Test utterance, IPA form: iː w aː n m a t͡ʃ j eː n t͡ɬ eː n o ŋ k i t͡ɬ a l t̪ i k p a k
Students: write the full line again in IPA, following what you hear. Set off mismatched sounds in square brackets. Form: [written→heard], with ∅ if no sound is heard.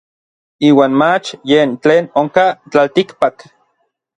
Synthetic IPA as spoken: iː w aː n m a t͡ʃ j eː n t͡ɬ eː n o ŋ k [i→a] t͡ɬ a l t̪ i k p a k